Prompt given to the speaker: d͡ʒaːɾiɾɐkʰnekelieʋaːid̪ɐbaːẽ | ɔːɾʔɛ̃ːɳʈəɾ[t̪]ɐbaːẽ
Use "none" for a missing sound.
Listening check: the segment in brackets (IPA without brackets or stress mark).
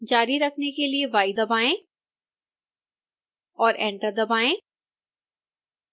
d̪